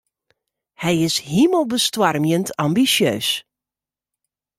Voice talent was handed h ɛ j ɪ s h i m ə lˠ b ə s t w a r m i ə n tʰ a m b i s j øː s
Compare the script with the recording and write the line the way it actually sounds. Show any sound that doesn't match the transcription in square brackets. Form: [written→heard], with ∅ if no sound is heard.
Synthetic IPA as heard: h ɛ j ɪ s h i m ə lˠ b ə s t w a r m [i→j] ə n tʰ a m b i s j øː s